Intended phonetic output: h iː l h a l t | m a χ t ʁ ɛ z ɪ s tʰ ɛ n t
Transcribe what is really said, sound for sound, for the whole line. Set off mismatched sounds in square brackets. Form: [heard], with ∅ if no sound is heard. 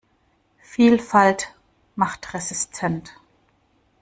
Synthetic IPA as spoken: [f] iː l [f] a l t | m a χ t ʁ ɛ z ɪ s tʰ ɛ n t